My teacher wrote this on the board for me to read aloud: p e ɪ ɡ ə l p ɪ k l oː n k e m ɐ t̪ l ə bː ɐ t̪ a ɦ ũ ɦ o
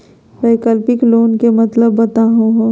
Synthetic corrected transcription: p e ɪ k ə l p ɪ k l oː n k e m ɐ t̪ l ə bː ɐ t̪ a ɦ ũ ɦ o